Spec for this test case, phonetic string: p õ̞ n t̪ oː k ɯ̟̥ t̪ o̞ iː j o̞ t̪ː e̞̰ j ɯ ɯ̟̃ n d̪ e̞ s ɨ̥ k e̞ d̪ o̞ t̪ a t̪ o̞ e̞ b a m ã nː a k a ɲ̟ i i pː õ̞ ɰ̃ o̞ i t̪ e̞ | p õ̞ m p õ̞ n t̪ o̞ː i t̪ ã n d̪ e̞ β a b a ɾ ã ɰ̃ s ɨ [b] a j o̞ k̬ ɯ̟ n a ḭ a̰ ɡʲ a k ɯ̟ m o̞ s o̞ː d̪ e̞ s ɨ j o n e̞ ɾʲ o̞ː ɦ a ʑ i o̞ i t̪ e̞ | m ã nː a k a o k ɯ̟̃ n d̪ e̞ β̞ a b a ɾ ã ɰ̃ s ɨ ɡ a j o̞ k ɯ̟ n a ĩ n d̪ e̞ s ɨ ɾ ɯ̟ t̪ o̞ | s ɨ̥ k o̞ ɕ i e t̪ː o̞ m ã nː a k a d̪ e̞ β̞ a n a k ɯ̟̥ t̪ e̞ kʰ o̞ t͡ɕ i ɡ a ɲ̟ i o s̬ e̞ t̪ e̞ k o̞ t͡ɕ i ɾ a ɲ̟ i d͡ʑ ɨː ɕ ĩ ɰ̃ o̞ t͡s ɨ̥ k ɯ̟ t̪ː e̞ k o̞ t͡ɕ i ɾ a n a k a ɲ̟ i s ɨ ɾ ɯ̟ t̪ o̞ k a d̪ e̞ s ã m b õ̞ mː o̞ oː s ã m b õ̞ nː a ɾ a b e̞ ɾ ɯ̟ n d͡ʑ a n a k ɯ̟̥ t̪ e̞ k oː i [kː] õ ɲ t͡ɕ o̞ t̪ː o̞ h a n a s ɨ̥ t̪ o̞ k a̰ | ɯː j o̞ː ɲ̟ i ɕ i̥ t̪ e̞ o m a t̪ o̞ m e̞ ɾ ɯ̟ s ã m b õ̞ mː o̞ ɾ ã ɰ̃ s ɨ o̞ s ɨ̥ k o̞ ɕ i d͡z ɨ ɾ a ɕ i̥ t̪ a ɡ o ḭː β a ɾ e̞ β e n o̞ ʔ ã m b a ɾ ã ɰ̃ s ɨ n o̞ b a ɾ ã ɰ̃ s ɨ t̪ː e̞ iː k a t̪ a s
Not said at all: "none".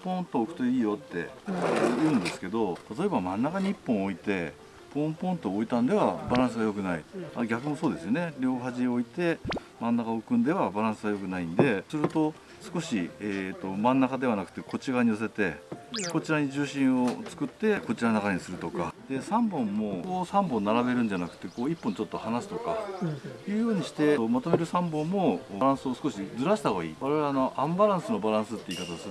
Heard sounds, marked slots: ɡ, pː

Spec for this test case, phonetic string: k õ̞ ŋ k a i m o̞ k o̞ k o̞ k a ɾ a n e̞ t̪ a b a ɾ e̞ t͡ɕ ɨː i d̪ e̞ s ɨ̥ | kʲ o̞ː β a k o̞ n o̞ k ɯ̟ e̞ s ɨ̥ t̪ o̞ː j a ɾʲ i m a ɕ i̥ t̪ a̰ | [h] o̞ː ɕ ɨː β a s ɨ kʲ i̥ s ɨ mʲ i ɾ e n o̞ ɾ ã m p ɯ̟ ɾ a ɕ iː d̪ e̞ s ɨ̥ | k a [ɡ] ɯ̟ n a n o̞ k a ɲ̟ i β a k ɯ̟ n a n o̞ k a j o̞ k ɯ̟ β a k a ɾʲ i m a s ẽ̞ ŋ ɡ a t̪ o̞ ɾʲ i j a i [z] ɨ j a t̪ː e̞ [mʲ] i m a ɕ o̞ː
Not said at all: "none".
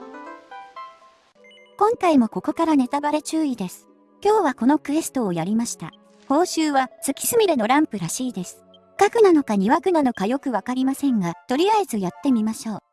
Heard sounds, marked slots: h, k, z, mʲ

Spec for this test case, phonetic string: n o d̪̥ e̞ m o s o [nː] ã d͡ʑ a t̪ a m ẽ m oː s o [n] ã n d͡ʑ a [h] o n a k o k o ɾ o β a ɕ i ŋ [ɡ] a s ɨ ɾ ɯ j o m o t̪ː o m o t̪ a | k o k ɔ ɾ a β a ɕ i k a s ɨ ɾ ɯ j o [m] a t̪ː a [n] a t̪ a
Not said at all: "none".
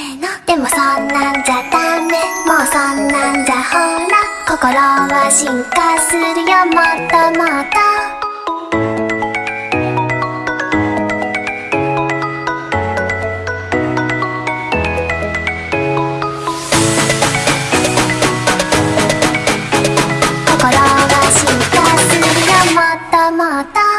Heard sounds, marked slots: nː, nː, h, k, m, m

